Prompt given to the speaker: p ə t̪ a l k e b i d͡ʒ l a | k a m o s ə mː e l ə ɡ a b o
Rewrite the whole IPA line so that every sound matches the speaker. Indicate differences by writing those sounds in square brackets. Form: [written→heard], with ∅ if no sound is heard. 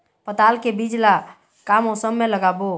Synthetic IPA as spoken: p ə t̪ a l k e b i d͡ʒ l a | k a m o s ə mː e l ə ɡ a b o

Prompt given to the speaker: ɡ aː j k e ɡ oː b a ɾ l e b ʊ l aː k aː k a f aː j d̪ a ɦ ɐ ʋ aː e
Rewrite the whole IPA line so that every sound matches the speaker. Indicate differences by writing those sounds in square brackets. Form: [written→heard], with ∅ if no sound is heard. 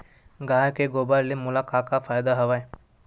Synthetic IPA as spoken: ɡ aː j k e ɡ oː b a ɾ l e [b→m] ʊ l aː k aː k a f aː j d̪ a ɦ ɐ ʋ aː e

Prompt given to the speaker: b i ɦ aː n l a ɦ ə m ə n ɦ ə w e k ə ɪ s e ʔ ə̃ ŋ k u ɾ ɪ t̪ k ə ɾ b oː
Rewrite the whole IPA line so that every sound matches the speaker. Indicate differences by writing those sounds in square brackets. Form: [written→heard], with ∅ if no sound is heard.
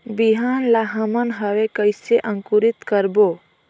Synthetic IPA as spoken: b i ɦ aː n l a ɦ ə m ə n ɦ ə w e k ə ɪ s e ʔ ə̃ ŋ k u ɾ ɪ t̪ k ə ɾ b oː

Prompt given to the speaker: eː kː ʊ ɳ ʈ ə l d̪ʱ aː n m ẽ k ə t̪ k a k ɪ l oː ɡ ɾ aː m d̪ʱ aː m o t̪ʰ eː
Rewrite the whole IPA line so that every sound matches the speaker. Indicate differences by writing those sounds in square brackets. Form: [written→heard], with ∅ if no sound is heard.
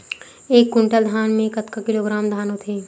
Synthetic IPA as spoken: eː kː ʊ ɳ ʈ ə l d̪ʱ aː n m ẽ k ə t̪ k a k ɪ l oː ɡ ɾ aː m d̪ʱ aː [m→n] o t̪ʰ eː

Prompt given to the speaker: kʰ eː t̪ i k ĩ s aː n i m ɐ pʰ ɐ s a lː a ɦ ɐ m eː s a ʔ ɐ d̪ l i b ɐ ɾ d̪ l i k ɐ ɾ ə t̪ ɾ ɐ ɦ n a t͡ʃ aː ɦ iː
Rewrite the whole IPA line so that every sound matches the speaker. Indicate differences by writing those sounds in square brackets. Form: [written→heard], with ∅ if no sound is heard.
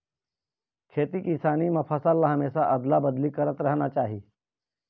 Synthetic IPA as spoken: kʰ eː t̪ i k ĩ s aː n i m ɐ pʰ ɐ s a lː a ɦ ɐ m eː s a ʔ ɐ d̪ l [i→a] b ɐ [ɾ→∅] d̪ l i k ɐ ɾ ə t̪ ɾ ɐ ɦ n a t͡ʃ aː ɦ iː

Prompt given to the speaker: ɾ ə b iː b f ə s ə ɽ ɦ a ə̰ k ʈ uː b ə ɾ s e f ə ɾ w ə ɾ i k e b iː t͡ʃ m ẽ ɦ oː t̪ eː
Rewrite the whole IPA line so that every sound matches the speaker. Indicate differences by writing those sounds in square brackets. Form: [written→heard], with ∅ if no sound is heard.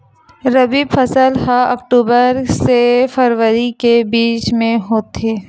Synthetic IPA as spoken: ɾ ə b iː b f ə s ə [ɽ→l] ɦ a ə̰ k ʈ uː b ə ɾ s e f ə ɾ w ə ɾ i k e b iː t͡ʃ m ẽ ɦ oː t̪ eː

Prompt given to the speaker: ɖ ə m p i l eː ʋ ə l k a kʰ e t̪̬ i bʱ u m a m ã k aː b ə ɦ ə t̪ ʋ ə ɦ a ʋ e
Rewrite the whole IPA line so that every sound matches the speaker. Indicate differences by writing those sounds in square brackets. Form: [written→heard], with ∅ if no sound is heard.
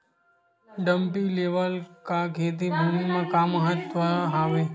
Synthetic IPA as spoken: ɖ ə m p i l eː ʋ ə l k a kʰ e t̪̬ i bʱ u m [a→i] m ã k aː [b→m] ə ɦ ə t̪ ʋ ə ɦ a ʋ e

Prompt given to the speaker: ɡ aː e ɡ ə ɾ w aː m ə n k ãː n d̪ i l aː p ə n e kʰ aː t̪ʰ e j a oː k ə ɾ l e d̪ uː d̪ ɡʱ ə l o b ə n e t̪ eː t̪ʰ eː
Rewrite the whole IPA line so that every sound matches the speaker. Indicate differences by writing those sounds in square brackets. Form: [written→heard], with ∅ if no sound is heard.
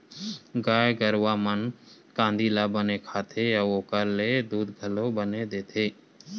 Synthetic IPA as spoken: ɡ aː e ɡ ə ɾ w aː m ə n k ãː n d̪ i l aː [p→b] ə n e kʰ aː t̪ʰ e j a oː k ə ɾ l e d̪ uː d̪ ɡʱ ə l o b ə n e [t̪→d̪] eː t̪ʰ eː

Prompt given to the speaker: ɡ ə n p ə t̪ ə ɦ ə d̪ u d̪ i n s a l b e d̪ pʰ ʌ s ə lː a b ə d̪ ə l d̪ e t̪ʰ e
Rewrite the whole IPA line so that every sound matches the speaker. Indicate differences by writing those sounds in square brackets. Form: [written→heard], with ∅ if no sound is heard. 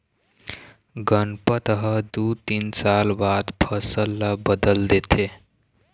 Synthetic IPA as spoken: ɡ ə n p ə t̪ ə ɦ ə d̪ u [d̪→t̪] i n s a l b [e→a] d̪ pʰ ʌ s ə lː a b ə d̪ ə l d̪ e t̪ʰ e

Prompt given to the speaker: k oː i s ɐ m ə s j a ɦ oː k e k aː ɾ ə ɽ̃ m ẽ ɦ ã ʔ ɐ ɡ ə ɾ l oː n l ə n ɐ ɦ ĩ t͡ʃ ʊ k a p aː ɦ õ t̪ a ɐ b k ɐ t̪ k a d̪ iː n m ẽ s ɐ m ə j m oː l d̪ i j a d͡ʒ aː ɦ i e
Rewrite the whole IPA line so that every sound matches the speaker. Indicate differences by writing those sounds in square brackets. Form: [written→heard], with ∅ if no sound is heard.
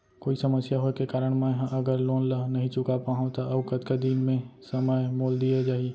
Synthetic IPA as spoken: k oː i s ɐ m ə s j a ɦ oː k e k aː ɾ ə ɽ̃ m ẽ ɦ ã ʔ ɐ ɡ ə ɾ l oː n l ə n ɐ ɦ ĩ t͡ʃ ʊ k a p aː ɦ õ t̪ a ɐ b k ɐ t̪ k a d̪ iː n m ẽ s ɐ m ə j m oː l d̪ i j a d͡ʒ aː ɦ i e

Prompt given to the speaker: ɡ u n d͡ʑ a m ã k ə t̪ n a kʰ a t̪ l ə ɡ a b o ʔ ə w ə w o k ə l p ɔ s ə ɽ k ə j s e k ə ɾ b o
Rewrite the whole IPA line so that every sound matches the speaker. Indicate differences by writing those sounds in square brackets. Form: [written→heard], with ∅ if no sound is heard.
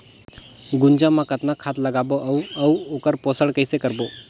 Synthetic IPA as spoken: ɡ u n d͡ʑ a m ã k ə t̪ n a kʰ a t̪ l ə ɡ a b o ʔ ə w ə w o k ə [l→ɾ] p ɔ s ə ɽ k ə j s e k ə ɾ b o

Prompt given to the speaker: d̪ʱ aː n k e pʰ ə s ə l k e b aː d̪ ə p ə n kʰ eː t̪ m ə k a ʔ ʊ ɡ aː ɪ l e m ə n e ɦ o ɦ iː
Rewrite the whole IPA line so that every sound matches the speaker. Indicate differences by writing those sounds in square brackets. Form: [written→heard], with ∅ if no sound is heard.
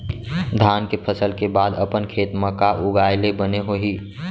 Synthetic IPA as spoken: d̪ʱ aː n k e pʰ ə s ə l k e b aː d̪ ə p ə n kʰ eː t̪ m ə k a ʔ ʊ ɡ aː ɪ l e [m→b] ə n e ɦ o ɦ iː

